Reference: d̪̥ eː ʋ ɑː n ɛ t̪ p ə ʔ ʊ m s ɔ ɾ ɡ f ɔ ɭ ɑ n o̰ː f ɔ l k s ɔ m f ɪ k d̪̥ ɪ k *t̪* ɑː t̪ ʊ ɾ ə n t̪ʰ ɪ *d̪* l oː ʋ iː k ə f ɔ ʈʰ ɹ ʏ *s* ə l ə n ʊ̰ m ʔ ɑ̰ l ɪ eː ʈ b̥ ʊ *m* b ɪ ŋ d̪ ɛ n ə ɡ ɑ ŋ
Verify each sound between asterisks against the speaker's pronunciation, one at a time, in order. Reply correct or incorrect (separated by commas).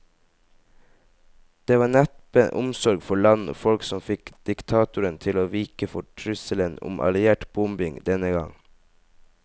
incorrect, incorrect, correct, correct